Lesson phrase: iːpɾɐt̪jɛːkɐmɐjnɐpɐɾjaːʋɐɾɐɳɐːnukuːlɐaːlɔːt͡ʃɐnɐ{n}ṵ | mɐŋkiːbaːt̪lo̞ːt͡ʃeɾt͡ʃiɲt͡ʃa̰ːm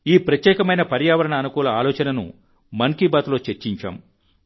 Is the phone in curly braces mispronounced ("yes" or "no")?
no